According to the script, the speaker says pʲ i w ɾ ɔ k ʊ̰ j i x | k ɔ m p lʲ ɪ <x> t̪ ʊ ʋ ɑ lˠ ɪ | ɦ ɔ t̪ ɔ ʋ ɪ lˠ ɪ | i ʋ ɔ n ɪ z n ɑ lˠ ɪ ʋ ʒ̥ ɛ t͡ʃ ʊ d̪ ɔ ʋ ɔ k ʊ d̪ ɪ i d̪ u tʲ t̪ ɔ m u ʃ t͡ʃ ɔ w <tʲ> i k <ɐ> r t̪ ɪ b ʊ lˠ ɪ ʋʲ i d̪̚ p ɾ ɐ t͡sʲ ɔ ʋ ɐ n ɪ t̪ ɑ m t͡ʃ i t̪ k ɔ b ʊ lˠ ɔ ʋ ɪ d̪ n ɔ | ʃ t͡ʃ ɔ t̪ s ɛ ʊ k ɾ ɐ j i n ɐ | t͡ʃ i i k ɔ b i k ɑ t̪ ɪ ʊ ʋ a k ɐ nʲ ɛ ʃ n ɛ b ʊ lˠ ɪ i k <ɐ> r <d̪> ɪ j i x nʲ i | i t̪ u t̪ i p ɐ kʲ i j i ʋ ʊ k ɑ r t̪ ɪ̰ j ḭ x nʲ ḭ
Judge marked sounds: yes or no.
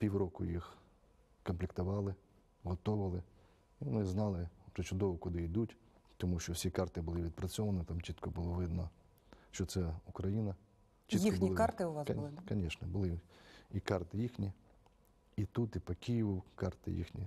no, no, no, no, no

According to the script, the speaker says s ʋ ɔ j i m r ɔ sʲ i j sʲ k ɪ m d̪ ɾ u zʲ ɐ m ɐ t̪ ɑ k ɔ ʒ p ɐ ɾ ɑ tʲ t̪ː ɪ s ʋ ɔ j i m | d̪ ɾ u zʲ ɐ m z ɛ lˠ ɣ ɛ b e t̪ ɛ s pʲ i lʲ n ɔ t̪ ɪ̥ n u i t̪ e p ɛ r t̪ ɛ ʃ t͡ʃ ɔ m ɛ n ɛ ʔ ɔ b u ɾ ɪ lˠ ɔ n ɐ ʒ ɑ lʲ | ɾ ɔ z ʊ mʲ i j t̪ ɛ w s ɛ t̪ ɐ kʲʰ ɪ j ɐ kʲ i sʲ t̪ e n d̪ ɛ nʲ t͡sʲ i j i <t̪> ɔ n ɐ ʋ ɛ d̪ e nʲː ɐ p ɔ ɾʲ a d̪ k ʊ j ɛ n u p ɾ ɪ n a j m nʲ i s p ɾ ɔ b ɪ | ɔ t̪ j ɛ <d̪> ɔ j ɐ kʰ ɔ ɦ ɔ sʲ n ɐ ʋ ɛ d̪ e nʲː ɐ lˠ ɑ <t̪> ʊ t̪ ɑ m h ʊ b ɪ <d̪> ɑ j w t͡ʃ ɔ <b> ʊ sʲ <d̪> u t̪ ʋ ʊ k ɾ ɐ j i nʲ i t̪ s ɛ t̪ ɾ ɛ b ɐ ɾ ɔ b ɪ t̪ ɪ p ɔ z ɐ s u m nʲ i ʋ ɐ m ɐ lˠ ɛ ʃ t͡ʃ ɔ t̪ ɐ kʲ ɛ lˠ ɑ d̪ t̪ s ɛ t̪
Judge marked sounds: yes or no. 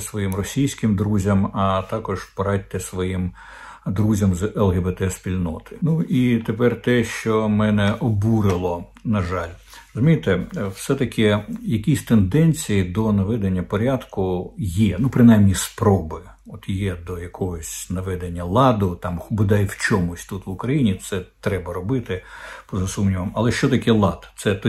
no, yes, no, yes, no, no

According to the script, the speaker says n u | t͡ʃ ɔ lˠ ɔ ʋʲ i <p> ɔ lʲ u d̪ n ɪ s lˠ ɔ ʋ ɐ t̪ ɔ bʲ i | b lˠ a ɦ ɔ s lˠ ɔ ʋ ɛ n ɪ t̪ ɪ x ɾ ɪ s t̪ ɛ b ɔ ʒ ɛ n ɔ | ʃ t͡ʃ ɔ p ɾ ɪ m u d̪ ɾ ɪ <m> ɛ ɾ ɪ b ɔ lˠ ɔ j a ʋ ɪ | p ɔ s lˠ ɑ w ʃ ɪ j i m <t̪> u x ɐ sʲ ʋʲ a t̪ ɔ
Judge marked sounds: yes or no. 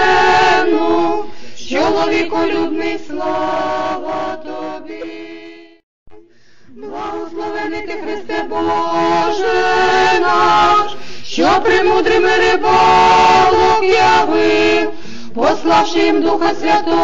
no, yes, no

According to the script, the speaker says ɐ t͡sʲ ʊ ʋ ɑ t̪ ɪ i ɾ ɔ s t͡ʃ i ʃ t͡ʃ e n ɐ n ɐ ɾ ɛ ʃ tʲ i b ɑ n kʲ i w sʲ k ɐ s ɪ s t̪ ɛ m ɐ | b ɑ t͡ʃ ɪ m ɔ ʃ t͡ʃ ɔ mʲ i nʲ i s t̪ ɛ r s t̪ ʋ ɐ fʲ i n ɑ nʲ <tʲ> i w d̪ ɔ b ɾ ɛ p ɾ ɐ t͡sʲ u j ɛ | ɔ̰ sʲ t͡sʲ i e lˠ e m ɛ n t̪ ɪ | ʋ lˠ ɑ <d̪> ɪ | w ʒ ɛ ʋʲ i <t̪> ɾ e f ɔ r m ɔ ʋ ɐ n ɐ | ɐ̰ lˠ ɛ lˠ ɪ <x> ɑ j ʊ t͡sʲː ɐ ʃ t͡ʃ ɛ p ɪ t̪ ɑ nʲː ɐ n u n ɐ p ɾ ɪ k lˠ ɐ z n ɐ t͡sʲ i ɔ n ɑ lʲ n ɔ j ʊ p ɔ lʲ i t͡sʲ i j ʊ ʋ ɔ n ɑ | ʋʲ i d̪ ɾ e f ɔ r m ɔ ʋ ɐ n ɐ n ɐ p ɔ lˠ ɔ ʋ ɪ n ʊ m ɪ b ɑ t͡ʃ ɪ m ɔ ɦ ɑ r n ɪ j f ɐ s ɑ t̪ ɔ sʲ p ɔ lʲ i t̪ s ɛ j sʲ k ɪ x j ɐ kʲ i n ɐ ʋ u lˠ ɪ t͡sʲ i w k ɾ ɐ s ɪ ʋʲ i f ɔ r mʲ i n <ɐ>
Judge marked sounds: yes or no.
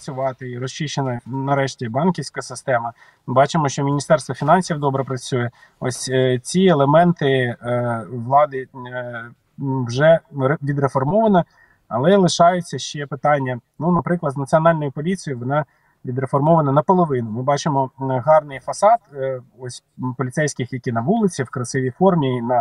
no, yes, no, no, yes

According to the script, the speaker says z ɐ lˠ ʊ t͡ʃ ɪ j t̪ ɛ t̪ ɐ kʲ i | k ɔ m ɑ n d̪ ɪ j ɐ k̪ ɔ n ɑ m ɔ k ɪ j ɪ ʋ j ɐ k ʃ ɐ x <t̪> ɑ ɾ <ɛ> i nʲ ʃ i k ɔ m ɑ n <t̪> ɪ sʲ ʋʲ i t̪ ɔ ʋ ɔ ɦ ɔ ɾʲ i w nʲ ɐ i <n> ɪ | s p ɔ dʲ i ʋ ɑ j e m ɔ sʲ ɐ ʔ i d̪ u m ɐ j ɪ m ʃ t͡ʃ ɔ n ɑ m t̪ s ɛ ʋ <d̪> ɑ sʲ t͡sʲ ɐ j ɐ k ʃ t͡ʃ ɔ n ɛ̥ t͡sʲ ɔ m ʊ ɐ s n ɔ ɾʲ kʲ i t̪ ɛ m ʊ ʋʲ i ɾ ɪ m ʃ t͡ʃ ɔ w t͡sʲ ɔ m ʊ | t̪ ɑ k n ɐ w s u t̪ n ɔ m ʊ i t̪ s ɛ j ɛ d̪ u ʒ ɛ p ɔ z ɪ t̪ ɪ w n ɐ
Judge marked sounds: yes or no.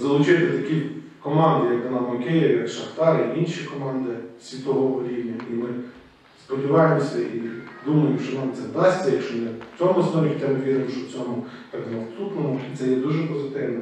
yes, no, no, no, yes

